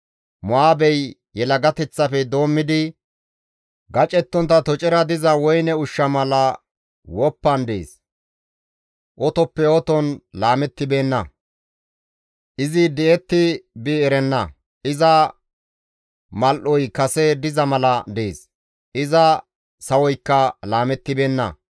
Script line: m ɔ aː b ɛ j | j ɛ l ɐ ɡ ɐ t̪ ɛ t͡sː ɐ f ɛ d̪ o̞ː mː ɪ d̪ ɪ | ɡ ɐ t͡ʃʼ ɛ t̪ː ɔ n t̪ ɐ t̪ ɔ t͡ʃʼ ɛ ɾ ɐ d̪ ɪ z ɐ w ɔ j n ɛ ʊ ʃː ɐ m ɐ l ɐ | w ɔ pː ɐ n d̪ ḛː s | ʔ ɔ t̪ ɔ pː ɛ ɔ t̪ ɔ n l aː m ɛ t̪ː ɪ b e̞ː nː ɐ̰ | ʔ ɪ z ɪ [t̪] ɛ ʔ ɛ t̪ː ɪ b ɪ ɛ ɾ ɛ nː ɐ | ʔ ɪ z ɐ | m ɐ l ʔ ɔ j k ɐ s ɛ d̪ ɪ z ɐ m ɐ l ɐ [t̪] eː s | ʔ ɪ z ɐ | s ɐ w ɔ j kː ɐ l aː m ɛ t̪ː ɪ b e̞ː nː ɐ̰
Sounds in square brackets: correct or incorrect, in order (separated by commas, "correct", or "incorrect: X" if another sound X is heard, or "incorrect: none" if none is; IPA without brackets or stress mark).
incorrect: d̪, incorrect: d̪